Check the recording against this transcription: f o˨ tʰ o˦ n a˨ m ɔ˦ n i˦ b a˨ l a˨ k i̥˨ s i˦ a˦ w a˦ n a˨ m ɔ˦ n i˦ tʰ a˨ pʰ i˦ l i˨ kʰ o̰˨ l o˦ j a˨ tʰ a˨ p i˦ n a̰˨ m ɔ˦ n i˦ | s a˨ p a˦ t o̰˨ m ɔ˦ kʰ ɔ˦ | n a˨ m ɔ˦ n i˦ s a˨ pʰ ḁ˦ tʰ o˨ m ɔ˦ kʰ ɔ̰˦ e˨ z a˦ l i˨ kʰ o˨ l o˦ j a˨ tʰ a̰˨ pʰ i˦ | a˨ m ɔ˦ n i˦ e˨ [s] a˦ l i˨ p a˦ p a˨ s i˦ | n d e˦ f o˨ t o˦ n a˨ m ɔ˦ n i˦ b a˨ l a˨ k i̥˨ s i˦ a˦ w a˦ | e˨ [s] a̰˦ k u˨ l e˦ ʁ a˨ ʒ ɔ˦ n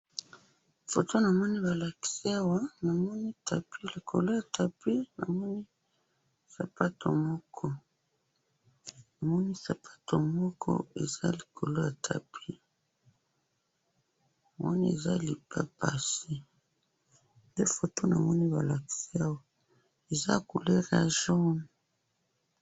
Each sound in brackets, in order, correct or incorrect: incorrect, incorrect

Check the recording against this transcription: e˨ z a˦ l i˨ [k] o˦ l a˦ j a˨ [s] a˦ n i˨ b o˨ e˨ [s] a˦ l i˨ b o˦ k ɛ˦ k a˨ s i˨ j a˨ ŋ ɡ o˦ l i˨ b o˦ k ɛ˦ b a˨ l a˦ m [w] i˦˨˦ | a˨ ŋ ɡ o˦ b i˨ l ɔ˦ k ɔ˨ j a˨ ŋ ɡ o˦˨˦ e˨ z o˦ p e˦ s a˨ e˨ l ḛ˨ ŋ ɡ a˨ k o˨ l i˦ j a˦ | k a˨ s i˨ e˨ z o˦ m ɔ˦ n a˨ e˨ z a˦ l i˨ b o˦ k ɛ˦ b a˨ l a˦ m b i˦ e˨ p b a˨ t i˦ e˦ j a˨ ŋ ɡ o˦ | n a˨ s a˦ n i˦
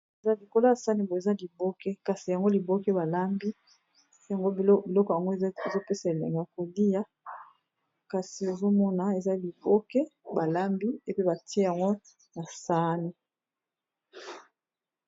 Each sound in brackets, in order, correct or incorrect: correct, correct, incorrect, incorrect

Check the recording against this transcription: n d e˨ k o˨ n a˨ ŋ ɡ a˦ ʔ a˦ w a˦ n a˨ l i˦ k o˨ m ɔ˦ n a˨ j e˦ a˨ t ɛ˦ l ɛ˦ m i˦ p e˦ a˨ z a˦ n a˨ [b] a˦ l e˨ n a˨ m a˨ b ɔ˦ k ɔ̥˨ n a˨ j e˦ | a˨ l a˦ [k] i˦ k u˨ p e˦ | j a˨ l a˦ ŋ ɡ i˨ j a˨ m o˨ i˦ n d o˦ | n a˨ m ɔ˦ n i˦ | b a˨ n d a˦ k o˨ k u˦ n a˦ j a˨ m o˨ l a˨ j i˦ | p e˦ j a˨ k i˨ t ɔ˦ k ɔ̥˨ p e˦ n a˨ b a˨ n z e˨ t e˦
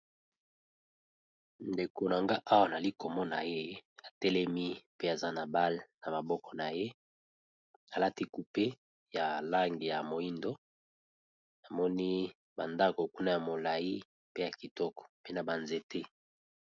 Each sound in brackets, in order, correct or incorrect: correct, incorrect

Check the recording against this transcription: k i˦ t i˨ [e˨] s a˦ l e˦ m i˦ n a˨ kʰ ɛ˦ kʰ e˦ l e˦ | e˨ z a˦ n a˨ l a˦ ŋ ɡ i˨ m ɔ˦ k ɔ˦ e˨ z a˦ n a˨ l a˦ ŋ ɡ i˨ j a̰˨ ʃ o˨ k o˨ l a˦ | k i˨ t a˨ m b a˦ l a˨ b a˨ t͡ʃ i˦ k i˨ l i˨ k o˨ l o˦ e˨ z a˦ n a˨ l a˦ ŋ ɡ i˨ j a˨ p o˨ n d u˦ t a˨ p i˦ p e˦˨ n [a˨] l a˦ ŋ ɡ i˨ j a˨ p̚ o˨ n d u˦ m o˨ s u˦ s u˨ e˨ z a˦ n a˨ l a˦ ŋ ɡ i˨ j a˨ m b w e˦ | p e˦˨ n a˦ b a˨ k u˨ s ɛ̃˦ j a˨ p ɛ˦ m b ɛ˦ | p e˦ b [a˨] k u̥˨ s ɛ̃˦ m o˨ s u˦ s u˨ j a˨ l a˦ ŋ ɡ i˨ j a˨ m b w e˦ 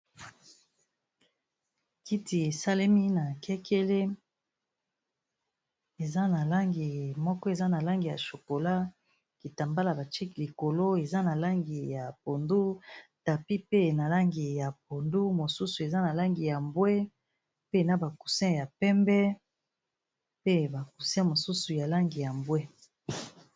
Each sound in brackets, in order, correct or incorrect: correct, correct, correct

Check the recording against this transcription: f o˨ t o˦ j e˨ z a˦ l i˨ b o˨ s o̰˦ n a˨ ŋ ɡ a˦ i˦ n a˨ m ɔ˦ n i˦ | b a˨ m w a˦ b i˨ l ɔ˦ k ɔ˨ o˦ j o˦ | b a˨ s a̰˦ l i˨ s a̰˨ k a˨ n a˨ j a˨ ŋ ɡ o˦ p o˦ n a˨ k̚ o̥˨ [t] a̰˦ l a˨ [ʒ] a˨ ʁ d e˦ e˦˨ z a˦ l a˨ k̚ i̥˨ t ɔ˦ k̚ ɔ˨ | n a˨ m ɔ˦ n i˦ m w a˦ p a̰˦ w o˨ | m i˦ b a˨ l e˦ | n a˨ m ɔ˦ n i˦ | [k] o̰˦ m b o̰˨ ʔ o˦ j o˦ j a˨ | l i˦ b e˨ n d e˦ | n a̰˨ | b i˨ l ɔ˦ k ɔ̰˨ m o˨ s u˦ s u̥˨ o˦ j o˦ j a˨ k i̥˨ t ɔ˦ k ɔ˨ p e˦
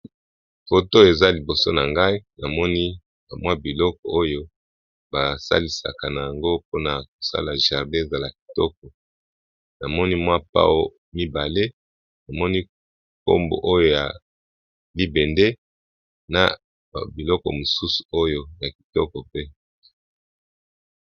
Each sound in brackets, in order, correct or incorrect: incorrect, correct, correct

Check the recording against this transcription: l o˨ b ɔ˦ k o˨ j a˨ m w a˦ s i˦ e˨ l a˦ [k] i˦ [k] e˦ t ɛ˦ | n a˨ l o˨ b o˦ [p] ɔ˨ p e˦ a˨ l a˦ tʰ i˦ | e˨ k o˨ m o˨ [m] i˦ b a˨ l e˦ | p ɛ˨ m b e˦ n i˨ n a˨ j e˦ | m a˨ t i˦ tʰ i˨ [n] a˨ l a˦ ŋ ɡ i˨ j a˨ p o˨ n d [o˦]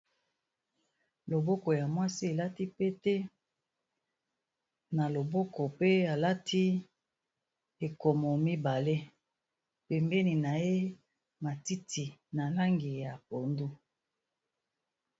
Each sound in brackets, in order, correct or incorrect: incorrect, incorrect, incorrect, correct, correct, incorrect

